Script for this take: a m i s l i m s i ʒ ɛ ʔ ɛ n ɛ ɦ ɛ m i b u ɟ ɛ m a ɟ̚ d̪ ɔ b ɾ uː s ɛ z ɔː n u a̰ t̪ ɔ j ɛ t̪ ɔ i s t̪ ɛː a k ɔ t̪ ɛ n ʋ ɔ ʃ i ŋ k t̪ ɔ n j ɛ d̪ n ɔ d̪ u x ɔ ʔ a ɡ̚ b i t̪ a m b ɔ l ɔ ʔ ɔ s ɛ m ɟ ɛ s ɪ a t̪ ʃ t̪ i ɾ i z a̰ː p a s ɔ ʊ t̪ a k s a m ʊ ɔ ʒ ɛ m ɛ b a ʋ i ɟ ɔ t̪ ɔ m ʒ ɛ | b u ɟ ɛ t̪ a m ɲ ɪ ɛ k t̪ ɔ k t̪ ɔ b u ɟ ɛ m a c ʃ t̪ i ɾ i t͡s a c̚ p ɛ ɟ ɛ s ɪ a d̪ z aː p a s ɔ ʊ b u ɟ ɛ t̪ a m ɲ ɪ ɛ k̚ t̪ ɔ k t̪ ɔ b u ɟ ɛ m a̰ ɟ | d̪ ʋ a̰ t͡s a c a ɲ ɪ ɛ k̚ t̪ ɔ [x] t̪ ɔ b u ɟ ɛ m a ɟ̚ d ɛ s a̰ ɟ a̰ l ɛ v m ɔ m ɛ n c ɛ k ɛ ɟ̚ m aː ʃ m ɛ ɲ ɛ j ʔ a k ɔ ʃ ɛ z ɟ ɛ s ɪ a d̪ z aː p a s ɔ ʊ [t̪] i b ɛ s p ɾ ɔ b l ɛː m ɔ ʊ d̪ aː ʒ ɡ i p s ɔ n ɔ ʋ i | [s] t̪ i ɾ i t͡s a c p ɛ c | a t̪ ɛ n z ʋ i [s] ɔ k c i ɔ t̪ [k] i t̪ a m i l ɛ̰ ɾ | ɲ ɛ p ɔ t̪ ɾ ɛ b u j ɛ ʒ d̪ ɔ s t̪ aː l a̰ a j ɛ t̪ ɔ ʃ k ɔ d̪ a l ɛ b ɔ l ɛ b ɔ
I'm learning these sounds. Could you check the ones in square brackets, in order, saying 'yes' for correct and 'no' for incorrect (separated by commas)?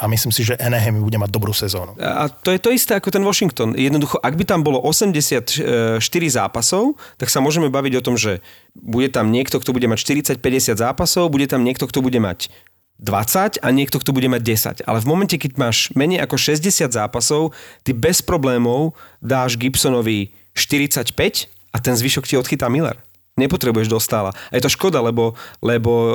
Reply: no, yes, no, no, no